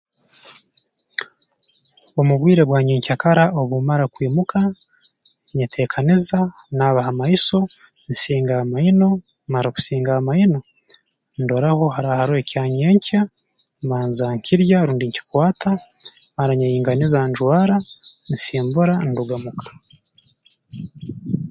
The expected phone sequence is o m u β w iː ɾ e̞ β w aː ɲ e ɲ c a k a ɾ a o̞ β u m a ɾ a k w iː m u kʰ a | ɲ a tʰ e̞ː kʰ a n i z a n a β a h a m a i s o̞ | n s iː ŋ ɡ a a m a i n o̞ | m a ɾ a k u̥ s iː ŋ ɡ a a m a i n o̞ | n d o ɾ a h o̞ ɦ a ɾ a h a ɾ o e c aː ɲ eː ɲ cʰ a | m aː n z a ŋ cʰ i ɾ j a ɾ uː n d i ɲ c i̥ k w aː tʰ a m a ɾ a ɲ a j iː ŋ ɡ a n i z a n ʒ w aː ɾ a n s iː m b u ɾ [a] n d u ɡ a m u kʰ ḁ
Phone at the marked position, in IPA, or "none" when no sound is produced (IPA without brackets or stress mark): a